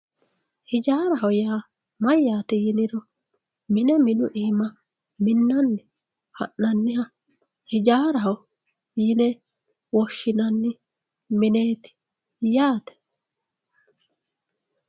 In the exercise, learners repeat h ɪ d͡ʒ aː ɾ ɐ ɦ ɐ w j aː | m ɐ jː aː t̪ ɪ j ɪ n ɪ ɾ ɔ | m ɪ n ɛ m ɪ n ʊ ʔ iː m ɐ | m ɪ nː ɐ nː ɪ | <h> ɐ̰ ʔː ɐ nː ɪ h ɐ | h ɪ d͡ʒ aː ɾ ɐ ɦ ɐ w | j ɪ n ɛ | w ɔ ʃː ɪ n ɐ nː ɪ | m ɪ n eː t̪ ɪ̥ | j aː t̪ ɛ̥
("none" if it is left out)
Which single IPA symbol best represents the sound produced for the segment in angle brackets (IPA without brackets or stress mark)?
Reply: h